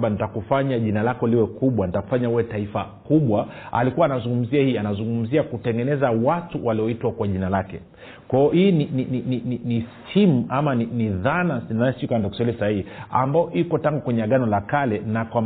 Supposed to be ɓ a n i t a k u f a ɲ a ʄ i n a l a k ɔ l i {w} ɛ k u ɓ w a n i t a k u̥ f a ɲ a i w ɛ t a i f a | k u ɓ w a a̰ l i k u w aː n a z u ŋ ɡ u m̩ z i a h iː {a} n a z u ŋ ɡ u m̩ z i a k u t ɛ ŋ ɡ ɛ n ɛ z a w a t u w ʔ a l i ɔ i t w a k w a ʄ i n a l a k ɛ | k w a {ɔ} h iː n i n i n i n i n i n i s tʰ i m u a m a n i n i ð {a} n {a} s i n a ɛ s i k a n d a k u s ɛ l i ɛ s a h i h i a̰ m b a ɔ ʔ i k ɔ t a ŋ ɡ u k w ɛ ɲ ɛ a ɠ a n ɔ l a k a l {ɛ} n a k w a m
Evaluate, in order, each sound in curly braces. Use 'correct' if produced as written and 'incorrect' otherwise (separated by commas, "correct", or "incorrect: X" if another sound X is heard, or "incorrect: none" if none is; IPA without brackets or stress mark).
correct, correct, correct, correct, correct, correct